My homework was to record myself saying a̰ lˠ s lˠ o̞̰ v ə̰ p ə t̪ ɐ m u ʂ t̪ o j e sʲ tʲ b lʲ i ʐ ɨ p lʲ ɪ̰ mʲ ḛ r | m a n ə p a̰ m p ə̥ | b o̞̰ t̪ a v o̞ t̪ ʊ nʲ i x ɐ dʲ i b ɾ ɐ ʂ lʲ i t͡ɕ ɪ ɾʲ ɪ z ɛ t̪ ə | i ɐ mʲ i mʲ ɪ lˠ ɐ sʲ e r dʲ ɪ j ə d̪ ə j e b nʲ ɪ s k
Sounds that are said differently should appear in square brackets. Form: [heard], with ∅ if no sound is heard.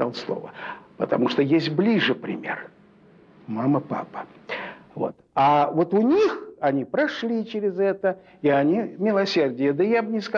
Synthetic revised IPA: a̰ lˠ s lˠ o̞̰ v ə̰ p ə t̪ ɐ m u ʂ t̪ o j e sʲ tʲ b lʲ i ʐ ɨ p [ɾʲ] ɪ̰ mʲ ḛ r | m a [m] ə p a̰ [∅] p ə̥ | [v] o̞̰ t̪ a v o̞ t̪ ʊ nʲ i x ɐ [nʲ] i [p] ɾ ɐ ʂ lʲ i t͡ɕ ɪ ɾʲ ɪ z ɛ t̪ ə | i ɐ [nʲ] i mʲ ɪ lˠ ɐ sʲ e r dʲ ɪ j ə d̪ ə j [a] b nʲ ɪ s k

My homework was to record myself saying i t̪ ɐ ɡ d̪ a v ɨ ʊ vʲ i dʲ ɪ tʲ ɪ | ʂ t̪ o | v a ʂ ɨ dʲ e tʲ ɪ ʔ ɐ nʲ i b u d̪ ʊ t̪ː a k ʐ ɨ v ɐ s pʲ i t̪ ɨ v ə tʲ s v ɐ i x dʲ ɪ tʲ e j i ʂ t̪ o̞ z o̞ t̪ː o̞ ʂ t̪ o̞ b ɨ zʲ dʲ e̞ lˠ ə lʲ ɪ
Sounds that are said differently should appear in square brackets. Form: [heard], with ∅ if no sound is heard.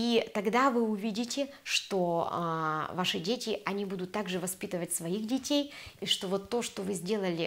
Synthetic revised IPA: i t̪ ɐ ɡ d̪ a v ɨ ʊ vʲ i dʲ ɪ tʲ ɪ | ʂ t̪ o | v a ʂ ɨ dʲ e tʲ ɪ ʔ ɐ nʲ i b u d̪ ʊ t̪ː a [ɡ] ʐ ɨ v ɐ s pʲ i t̪ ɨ v ə tʲ s v ɐ i x dʲ ɪ tʲ e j i ʂ t̪ o̞ [v] o̞ t̪ː o̞ ʂ t̪ o̞ [v] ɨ zʲ dʲ e̞ lˠ ə lʲ ɪ

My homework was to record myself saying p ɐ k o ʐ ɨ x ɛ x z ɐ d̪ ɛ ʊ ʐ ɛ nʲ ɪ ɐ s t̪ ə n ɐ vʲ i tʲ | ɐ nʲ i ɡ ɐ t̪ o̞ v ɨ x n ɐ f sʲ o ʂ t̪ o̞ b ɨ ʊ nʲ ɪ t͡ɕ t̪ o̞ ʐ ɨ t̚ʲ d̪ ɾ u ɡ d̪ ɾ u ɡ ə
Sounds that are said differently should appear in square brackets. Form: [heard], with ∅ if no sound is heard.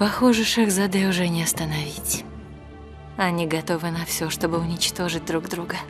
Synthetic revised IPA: p ɐ [x] o ʐ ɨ [ʂ] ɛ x z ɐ d̪ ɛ ʊ ʐ ɛ nʲ ɪ ɐ s t̪ ə n ɐ vʲ i tʲ | ɐ nʲ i ɡ ɐ t̪ o̞ v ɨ [∅] n ɐ f sʲ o ʂ t̪ o̞ b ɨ ʊ nʲ ɪ t͡ɕ t̪ o̞ ʐ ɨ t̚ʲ d̪ ɾ u ɡ d̪ ɾ u ɡ ə

